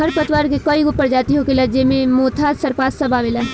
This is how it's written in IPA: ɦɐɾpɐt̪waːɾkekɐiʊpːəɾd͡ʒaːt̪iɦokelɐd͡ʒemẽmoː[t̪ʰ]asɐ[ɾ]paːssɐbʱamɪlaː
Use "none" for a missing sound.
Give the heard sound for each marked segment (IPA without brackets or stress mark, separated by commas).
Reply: t̪ʰ, ɾ